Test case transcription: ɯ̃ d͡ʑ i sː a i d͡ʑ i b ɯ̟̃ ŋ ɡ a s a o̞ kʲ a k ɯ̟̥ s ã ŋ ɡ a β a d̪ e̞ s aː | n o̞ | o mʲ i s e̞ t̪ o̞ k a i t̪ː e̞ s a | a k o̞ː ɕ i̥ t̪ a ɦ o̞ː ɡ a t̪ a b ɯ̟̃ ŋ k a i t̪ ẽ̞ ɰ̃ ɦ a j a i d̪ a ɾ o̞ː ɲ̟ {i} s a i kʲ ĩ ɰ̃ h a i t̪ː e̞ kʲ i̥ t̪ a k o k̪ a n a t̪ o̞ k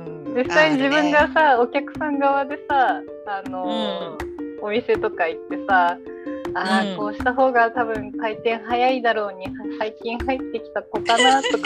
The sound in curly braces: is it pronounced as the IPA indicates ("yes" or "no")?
yes